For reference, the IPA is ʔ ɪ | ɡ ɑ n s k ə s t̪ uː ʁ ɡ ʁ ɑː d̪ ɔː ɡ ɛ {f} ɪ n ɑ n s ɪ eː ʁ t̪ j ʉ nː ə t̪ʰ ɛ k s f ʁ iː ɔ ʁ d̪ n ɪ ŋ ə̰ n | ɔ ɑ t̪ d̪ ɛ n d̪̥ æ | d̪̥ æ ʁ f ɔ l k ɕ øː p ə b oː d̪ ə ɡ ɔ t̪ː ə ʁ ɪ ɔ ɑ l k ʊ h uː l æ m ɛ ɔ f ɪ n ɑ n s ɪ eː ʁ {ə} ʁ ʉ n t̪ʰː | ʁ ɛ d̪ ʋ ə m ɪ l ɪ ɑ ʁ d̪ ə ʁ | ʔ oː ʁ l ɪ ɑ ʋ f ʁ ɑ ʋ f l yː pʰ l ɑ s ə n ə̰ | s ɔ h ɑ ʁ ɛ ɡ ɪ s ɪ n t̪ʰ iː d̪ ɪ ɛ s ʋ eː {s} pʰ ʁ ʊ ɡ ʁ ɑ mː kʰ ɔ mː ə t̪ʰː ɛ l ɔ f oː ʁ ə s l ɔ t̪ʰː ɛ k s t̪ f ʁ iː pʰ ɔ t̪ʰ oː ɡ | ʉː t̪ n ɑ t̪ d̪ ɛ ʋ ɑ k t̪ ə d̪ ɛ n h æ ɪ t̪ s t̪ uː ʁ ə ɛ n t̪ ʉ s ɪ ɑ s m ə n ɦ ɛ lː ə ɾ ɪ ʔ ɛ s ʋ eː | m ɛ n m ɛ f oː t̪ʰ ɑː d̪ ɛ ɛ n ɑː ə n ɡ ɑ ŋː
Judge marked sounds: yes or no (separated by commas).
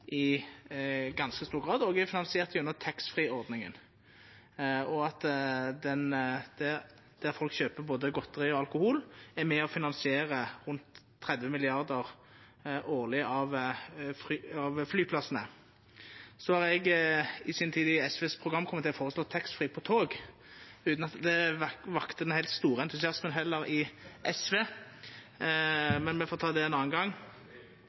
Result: yes, yes, yes